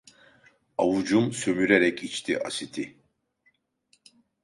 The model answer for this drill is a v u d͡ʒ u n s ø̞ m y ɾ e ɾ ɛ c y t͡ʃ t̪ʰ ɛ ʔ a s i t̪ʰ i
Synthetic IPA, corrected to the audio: a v u d͡ʒ u m s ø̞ m y ɾ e ɾ ɛ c i t͡ʃ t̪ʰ i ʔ a s i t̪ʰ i